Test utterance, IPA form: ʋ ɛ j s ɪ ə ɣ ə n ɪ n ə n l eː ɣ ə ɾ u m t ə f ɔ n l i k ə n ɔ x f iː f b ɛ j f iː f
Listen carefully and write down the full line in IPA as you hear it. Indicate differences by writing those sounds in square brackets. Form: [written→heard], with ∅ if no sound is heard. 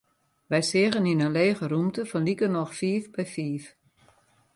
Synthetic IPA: ʋ ɛ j s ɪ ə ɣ ə n [ɪ→i] n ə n l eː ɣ ə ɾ u m t ə f ɔ n l i k ə n ɔ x f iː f b ɛ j f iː f